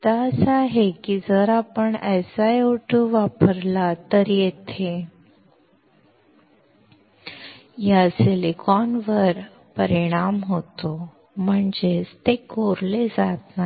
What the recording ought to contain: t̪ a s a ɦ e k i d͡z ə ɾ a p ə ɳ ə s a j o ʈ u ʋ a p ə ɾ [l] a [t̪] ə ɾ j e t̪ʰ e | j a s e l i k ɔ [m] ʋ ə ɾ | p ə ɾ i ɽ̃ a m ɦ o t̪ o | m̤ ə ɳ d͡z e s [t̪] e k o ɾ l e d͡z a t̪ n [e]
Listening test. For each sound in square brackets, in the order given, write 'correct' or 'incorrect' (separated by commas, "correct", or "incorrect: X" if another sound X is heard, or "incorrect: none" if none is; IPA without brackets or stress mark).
correct, correct, incorrect: n, correct, incorrect: a